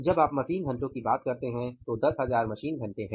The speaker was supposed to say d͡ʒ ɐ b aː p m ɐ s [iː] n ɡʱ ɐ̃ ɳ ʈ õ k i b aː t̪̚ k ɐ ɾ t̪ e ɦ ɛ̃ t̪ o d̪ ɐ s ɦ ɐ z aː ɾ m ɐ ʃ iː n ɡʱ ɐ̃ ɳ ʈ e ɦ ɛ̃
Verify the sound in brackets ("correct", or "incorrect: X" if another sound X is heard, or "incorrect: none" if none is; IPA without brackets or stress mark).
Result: correct